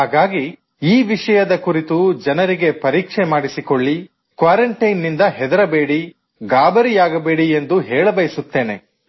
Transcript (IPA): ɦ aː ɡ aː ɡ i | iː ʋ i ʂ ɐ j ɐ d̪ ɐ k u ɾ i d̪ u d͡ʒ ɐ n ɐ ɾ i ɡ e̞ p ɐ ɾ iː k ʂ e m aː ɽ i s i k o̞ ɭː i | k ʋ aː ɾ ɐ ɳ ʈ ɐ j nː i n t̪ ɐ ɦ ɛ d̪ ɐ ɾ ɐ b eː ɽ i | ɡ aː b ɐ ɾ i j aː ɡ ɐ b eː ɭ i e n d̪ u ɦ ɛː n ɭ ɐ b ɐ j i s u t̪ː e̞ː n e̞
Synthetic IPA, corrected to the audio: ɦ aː ɡ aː ɡ i | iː ʋ i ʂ ɐ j ɐ d̪ ɐ k u ɾ i t̪ u d͡ʒ ɐ n ɐ ɾ i ɡ e̞ p ɐ ɾ iː k ʂ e m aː ɽ i s i k o̞ ɭː i | k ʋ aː ɾ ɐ ɳ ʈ ɐ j nː i n d̪ ɐ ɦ ɛ d̪ ɐ ɾ ɐ b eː ɽ i | ɡ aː b ɐ ɾ i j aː ɡ ɐ b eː ɽ i e n d̪ u ɦ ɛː ɭ ɐ b ɐ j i s u t̪ː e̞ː n e̞